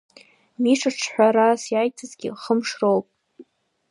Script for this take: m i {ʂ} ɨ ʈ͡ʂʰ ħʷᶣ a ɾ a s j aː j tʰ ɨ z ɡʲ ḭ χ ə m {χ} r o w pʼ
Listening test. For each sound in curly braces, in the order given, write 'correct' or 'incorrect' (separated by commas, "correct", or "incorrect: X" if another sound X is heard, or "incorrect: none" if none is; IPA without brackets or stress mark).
correct, incorrect: ʂ